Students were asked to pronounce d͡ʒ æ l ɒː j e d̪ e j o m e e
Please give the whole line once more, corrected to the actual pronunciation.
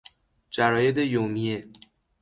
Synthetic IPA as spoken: d͡ʒ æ ɾ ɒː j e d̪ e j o m i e